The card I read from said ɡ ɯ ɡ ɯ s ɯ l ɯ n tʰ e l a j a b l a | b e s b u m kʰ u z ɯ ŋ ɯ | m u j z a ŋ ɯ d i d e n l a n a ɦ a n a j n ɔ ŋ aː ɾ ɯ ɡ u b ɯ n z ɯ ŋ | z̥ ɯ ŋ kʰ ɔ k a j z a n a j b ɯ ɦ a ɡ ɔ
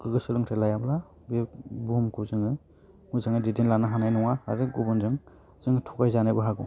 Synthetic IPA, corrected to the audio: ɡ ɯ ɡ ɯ s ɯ l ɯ ŋ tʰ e l a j a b l a | b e b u m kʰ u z ɯ ŋ ɯ | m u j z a ŋ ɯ d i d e n l a n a ɦ a n a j n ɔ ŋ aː ɾ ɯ ɡ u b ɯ n z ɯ ŋ | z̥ ɯ ŋ tʰ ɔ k a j z a n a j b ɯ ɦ a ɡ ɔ